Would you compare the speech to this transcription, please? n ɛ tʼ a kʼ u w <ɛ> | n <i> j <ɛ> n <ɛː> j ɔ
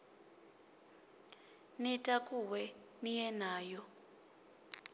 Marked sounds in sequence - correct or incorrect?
correct, correct, correct, incorrect: aː

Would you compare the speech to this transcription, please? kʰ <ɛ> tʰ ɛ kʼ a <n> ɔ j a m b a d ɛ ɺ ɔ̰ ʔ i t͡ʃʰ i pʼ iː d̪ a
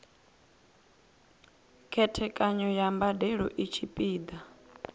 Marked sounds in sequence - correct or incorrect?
correct, incorrect: ɲ

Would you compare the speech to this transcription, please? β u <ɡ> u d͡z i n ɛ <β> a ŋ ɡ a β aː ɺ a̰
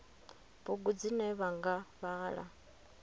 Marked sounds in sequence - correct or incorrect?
correct, correct

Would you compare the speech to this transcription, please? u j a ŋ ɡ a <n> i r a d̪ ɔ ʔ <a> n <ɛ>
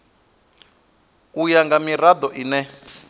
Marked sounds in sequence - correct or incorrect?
incorrect: m, incorrect: i, correct

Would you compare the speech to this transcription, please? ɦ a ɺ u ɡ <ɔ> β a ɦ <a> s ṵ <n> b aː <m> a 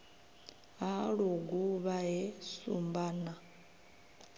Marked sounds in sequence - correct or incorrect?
incorrect: u, incorrect: ɛ, incorrect: m, incorrect: n

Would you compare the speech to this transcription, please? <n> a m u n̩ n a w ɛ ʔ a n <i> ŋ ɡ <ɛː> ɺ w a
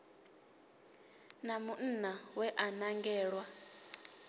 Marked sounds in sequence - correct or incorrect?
correct, incorrect: a, correct

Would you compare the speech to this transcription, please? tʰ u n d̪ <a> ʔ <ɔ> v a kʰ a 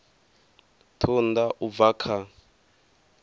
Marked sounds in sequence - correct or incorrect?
correct, incorrect: u

